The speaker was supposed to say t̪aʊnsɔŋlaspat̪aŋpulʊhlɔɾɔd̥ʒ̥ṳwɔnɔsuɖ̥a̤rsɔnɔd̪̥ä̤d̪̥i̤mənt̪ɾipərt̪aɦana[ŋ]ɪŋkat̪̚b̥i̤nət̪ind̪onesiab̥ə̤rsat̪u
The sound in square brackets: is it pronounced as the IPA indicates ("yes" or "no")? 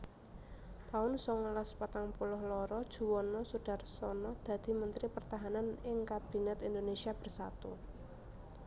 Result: no